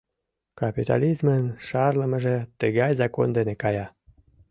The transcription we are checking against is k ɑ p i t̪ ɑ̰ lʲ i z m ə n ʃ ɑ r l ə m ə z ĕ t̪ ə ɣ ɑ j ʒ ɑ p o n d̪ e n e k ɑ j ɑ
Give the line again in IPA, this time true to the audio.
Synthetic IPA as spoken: k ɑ p i t̪ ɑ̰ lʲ i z m ə n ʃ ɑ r l ə m ə ʒ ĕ t̪ ə ɣ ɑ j z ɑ k o n d̪ e n e k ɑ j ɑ